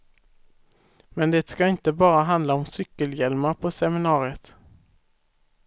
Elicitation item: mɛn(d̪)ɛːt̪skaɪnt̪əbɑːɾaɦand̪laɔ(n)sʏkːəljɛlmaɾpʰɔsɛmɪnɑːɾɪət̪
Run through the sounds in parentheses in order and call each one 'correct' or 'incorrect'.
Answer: correct, incorrect

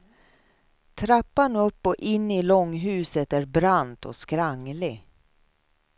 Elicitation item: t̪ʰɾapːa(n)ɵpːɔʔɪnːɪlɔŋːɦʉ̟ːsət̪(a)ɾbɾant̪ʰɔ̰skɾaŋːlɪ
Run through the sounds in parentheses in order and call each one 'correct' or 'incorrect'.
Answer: correct, incorrect

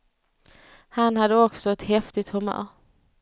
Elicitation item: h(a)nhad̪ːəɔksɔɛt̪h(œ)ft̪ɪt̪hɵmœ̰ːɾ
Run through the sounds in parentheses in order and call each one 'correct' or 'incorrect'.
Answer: correct, incorrect

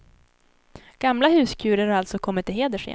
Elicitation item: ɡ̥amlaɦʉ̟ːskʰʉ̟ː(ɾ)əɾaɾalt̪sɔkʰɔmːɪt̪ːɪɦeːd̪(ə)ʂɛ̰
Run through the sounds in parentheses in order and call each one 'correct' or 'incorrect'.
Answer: correct, correct

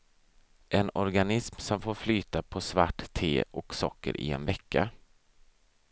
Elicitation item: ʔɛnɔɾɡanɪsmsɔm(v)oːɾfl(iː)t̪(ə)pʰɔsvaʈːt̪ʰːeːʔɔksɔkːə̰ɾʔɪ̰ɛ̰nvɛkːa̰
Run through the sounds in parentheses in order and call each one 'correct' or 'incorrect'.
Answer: incorrect, incorrect, incorrect

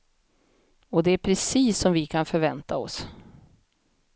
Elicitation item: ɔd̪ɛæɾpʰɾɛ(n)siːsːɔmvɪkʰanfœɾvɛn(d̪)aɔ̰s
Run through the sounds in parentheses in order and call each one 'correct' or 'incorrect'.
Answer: incorrect, incorrect

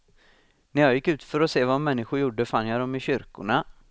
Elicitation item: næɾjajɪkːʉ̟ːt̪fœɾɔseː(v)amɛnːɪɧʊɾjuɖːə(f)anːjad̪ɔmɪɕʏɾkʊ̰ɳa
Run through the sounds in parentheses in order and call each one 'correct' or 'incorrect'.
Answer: correct, correct

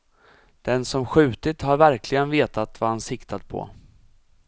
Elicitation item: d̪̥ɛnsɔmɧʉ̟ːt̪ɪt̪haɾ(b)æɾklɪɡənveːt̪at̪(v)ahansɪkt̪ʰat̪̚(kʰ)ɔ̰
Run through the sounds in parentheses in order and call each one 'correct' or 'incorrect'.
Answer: incorrect, correct, incorrect

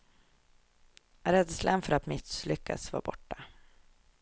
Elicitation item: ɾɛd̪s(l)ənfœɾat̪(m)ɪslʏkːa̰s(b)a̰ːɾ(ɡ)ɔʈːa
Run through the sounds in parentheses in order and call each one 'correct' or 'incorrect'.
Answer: correct, correct, incorrect, incorrect

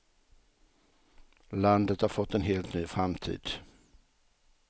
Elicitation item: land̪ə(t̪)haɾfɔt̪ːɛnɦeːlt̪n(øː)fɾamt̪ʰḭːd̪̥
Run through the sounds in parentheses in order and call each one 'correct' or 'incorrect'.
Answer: correct, incorrect

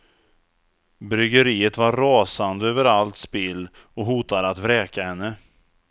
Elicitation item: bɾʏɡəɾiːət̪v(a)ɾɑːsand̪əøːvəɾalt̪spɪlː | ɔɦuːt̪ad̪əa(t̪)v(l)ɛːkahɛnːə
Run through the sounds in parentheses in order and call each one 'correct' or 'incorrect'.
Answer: correct, correct, incorrect

